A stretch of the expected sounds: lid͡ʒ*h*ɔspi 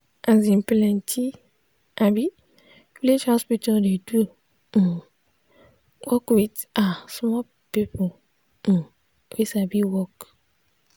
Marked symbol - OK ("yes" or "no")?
yes